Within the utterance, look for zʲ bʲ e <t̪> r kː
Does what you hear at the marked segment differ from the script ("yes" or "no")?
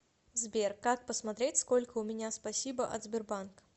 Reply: yes